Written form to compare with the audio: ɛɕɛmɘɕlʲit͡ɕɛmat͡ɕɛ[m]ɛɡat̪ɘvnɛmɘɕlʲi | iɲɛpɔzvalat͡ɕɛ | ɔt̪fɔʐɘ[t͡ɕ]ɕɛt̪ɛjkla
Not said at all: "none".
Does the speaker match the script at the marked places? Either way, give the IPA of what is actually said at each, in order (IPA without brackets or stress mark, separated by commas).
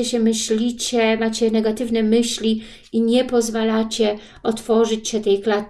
n, t͡ɕ